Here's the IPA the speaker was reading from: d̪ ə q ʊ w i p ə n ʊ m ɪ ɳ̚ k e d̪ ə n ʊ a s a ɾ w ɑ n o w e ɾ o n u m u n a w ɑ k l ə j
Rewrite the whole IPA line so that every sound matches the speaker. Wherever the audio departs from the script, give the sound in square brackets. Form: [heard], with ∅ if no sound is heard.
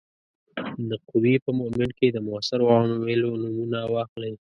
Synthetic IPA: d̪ ə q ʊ w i p ə [m] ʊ m ɪ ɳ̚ k e d̪ ə [m] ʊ a s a ɾ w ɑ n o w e [l] o n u m u n a w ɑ [x] l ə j